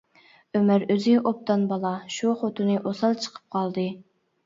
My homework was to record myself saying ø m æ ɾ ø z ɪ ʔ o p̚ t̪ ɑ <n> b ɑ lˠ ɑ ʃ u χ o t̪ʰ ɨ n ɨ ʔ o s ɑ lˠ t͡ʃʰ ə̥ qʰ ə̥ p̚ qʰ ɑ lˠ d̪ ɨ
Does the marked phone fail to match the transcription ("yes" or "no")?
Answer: no